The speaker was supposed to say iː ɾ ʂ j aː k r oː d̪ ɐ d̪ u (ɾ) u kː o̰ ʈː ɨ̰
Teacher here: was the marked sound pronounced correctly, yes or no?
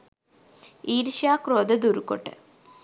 yes